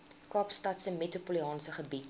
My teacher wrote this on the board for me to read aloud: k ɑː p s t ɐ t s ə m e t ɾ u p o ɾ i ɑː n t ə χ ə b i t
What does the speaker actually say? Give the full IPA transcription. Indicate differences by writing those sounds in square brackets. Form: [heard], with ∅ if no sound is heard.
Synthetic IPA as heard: k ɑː p s t ɐ t s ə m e t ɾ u p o [l] i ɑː n [s] ə χ ə b i t